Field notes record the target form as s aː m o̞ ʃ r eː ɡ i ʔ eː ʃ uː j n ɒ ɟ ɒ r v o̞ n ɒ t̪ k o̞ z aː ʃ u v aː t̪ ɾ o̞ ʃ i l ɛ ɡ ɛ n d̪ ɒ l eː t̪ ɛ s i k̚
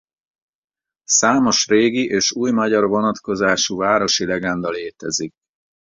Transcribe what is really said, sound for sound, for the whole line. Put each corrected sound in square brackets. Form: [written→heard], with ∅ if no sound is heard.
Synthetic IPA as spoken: s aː m o̞ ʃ r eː ɡ i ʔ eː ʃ uː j [n→m] ɒ ɟ ɒ r v o̞ n ɒ t̪ k o̞ z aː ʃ u v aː [t̪→∅] ɾ o̞ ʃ i l ɛ ɡ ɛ n d̪ ɒ l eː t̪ ɛ [s→z] i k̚